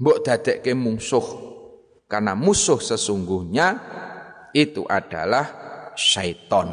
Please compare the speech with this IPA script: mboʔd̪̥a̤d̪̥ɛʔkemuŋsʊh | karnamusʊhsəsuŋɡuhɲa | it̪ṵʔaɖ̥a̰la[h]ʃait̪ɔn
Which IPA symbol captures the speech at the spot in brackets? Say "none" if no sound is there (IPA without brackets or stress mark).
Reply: h